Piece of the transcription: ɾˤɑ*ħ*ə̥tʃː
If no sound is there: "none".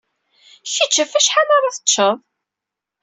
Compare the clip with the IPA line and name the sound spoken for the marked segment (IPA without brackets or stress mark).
θ